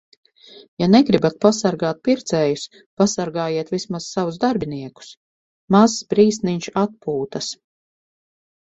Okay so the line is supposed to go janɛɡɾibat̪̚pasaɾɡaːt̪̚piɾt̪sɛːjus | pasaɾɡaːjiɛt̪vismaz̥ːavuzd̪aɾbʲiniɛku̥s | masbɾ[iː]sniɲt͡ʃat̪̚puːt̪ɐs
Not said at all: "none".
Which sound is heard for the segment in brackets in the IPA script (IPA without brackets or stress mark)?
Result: iː